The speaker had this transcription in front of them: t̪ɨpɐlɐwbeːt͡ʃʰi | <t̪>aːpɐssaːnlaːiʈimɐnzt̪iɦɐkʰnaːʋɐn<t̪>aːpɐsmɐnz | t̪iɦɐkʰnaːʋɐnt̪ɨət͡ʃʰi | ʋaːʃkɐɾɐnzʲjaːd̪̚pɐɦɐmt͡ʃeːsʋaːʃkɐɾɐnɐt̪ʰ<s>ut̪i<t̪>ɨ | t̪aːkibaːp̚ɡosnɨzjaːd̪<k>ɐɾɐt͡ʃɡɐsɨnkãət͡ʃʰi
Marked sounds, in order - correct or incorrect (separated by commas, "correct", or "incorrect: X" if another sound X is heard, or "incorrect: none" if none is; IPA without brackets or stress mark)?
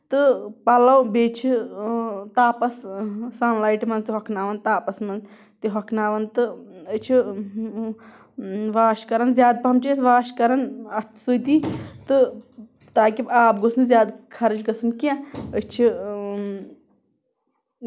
correct, correct, correct, correct, incorrect: kʰ